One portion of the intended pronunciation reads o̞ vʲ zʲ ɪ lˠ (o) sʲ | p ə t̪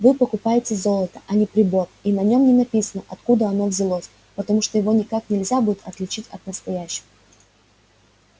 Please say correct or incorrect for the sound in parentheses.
correct